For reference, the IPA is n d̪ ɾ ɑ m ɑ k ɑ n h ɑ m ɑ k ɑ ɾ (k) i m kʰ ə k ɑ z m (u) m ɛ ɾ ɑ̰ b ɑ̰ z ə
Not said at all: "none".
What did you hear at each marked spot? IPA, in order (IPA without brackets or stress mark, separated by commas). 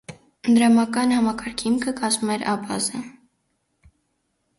kʰ, u